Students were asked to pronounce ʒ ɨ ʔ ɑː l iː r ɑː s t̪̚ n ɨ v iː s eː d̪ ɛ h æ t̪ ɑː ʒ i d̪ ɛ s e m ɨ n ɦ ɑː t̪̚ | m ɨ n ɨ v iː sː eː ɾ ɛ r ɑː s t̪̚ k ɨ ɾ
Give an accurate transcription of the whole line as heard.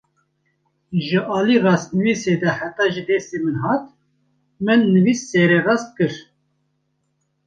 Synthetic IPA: ʒ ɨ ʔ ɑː l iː r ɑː s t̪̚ n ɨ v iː s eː d̪ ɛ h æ t̪ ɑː ʒ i d̪ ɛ s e m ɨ n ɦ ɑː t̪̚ | m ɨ nː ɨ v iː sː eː ɾ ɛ r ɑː s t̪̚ k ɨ ɾ